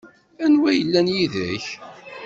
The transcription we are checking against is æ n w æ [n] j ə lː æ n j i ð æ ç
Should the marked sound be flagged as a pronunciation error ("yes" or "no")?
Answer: yes